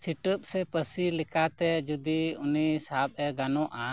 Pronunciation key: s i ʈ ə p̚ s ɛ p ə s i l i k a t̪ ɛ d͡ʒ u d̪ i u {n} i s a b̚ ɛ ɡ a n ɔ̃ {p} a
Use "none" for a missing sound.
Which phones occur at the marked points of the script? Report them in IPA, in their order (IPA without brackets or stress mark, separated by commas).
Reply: n, ʔ